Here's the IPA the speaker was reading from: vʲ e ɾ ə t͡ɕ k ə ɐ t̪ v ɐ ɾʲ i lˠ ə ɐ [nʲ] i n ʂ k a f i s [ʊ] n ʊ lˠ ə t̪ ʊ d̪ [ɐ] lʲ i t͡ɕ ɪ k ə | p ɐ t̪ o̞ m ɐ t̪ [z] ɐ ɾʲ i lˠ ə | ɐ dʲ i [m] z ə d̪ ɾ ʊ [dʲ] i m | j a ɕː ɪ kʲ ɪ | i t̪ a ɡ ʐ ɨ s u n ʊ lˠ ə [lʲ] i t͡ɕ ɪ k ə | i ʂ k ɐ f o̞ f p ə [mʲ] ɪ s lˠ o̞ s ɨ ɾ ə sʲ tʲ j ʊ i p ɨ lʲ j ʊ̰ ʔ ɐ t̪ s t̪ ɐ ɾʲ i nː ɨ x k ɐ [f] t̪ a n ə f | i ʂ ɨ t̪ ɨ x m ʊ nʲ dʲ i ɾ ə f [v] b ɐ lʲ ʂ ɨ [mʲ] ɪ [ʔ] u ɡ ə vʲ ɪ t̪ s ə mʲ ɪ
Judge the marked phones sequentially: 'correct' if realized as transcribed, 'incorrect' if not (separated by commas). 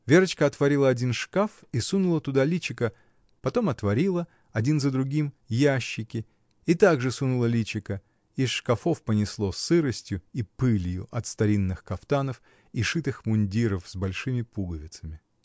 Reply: incorrect, incorrect, incorrect, incorrect, incorrect, incorrect, correct, incorrect, correct, incorrect, correct, incorrect